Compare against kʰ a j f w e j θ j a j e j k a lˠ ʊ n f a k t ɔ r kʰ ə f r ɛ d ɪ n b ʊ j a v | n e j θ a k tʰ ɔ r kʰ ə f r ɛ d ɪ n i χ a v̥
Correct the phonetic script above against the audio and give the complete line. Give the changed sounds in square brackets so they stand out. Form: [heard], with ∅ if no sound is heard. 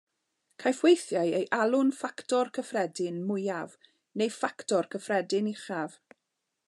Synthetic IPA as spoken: kʰ a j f w e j θ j a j e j [ʔ] a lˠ ʊ n f a k t ɔ r kʰ ə f r ɛ d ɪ n [m] ʊ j a v | n e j [f] a k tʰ ɔ r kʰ ə f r ɛ d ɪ n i χ a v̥

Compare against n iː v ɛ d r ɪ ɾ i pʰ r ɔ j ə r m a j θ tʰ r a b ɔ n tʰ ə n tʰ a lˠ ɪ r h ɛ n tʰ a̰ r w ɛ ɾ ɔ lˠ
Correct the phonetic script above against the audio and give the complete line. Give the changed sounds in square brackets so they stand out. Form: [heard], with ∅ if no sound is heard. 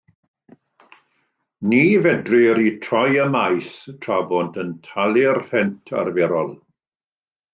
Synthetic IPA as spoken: n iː v ɛ d r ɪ ɾ i [tʰ] r ɔ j ə [∅] m a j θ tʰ r a b ɔ n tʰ ə n tʰ a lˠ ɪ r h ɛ n tʰ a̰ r [v] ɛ ɾ ɔ lˠ

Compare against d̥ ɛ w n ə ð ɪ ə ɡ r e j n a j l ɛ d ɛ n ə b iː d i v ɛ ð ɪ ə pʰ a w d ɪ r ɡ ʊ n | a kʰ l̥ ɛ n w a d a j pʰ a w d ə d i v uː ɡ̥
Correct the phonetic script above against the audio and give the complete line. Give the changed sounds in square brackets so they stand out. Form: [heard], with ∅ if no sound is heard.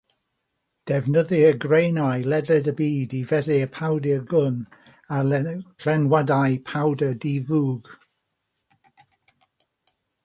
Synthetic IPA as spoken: d̥ ɛ [v] n ə ð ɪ ə ɡ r e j n a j l ɛ d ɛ [d] ə b iː d i v ɛ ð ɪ ə pʰ a w d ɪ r ɡ ʊ n | a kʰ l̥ ɛ n w a d a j pʰ a w d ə d i v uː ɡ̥

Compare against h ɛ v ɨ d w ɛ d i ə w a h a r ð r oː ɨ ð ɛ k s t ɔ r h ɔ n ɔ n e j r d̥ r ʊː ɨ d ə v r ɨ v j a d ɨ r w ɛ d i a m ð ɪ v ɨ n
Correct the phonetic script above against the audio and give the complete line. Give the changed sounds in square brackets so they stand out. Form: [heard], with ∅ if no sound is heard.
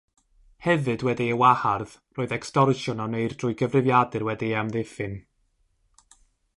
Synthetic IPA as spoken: h ɛ v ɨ d w ɛ d i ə w a h a r ð r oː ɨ ð ɛ k s t ɔ r [ʃ] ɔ n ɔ n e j r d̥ r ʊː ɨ [ɡ] ə v r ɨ v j a d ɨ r w ɛ d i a m ð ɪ [f] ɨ n

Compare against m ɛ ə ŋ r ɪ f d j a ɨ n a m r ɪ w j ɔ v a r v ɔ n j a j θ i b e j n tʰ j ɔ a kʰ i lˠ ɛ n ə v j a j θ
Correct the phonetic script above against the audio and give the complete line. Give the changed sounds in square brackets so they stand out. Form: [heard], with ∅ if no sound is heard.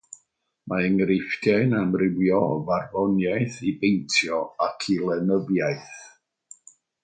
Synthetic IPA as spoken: m [a] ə ŋ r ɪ f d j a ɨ n a m r ɪ w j ɔ v a r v ɔ n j a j θ i b e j n tʰ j ɔ a kʰ i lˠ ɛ n ə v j a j θ

